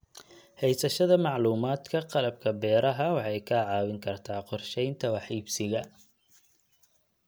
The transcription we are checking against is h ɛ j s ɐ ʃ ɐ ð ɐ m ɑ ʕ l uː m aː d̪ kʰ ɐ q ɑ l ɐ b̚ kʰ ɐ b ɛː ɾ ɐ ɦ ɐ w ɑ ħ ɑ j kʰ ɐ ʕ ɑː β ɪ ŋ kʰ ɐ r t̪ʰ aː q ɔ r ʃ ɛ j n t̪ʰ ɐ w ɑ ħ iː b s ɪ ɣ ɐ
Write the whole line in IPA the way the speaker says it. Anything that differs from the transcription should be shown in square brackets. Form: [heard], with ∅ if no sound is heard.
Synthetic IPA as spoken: h ɛ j s ɐ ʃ ɐ ð ɐ m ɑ ʕ l uː m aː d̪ kʰ ɐ q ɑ l ɐ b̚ kʰ ɐ b ɛː ɾ ɐ ɦ ɐ w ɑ ħ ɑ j kʰ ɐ ʕ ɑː [w] ɪ ŋ kʰ ɐ r t̪ʰ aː q ɔ r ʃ ɛ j n t̪ʰ ɐ w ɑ ħ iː b s ɪ ɣ ɐ